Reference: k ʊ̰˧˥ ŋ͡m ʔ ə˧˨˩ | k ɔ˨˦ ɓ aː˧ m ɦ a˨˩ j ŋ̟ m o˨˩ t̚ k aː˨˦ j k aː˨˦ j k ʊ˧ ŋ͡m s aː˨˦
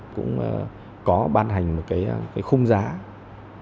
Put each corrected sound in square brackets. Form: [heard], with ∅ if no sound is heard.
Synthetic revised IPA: k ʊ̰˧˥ ŋ͡m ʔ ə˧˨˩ | k ɔ˨˦ ɓ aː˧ [n] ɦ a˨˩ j ŋ̟ m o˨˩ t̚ k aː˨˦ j k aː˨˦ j [x] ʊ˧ ŋ͡m [z] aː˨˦